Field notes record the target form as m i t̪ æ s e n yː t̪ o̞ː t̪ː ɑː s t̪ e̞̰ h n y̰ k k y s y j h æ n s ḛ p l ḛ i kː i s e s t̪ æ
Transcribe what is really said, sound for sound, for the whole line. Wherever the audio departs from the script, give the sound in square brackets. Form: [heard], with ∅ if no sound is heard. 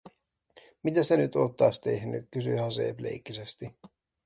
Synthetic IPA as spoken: m i t̪ æ s e n [y] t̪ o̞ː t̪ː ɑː s t̪ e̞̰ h n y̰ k k y s y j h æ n s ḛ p l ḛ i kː i s e s t̪ [i]